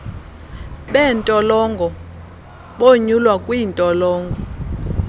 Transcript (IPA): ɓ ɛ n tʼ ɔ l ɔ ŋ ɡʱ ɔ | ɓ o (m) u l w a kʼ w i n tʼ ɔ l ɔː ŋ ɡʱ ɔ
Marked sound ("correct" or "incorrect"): incorrect